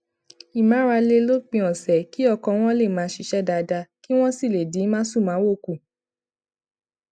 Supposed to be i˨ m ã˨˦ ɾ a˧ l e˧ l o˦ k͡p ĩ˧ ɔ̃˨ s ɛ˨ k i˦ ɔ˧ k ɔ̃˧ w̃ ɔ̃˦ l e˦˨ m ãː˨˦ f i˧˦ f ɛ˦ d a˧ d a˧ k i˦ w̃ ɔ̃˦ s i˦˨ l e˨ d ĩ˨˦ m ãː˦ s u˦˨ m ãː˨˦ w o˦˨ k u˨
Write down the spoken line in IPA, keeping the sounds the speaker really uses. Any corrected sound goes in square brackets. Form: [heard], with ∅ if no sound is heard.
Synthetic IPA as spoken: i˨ m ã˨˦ ɾ a˧ l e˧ l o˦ k͡p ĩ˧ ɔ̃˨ s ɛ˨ k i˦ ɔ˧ k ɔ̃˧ w̃ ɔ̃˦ l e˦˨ m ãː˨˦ [ʃ] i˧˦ [ʃ] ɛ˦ d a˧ d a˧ k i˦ w̃ ɔ̃˦ s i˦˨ l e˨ d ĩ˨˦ m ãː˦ s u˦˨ m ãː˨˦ w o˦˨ k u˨